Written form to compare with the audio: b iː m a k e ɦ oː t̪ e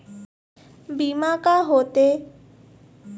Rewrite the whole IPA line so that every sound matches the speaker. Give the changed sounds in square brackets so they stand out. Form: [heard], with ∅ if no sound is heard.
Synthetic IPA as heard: b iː m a k [a] ɦ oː t̪ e